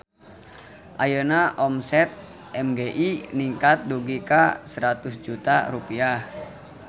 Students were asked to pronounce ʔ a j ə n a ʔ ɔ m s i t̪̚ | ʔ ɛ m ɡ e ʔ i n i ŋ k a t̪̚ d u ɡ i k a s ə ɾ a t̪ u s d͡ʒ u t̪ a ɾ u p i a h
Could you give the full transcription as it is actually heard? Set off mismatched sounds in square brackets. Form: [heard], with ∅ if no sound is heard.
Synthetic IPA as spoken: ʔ a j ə n a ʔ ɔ m s [ɛ] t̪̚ | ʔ ɛ m ɡ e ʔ i n i ŋ k a t̪̚ d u ɡ i k a s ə ɾ a t̪ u s d͡ʒ u t̪ a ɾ u p i a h